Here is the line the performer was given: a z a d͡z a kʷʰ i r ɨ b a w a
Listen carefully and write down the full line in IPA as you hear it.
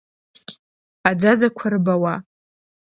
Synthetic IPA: a d͡z a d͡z a kʷʰ a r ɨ b a w a